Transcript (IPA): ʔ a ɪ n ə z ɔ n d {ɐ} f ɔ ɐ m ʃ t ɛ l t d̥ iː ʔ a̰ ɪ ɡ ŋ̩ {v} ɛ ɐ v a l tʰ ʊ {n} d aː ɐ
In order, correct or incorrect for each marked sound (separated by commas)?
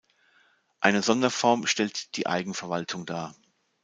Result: correct, incorrect, incorrect